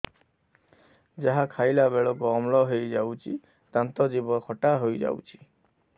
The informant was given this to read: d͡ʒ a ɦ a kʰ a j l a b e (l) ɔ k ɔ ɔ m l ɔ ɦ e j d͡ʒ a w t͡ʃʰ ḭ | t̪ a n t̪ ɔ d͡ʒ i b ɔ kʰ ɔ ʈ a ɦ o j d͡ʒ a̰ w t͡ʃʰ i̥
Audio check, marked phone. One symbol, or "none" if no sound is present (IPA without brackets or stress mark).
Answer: ɭ